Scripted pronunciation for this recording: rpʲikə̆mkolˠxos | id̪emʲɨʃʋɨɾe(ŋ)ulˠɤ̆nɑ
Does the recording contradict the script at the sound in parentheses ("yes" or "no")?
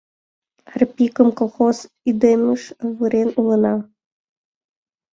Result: yes